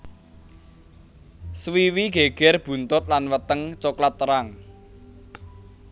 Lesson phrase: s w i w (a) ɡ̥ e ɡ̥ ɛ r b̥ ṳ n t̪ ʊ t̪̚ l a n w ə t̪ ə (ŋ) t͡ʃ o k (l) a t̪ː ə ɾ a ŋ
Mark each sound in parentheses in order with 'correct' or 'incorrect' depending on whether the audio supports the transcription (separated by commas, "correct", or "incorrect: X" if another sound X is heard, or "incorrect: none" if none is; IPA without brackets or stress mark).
incorrect: i, correct, correct